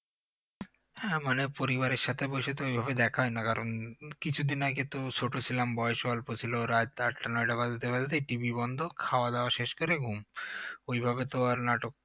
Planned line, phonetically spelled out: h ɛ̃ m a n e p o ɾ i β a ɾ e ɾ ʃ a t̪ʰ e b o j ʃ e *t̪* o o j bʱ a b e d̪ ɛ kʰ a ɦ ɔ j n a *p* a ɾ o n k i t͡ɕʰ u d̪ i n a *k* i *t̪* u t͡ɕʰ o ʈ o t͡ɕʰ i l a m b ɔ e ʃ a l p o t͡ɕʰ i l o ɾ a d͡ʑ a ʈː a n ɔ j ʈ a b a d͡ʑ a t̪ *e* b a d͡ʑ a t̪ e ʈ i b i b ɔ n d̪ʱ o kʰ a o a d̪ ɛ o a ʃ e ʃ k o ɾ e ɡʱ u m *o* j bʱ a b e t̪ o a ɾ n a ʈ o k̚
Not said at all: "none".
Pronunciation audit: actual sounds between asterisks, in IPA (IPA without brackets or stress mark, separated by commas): t̪, k, k, t̪, e, o